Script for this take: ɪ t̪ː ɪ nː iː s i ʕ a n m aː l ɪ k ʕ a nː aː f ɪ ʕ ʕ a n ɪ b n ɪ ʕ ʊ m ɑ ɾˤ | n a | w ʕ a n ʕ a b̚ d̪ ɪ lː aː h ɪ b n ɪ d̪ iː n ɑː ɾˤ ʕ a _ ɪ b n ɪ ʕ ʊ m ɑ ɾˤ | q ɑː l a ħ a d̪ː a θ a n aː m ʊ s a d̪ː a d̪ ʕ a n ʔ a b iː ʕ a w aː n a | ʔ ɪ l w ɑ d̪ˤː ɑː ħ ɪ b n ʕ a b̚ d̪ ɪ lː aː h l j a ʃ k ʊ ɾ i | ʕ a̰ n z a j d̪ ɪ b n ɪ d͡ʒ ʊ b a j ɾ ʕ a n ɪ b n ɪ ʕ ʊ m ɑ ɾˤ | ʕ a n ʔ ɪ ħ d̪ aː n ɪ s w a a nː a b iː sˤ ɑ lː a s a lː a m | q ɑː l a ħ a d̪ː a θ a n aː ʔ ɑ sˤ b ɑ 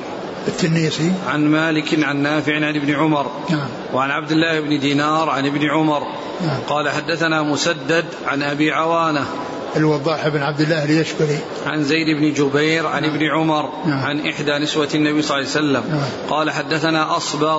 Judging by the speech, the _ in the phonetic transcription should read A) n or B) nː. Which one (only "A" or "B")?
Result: A